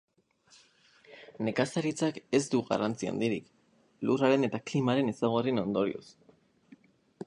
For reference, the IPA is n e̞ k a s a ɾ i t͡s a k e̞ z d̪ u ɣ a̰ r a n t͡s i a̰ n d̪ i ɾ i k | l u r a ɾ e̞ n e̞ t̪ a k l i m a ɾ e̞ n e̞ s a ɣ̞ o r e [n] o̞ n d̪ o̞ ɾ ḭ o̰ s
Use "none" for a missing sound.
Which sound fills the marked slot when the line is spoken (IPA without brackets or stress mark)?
n